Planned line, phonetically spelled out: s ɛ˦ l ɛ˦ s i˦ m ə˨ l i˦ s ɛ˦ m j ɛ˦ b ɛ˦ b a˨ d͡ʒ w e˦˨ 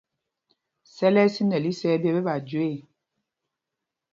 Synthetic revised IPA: s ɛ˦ l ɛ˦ s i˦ n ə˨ l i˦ s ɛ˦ b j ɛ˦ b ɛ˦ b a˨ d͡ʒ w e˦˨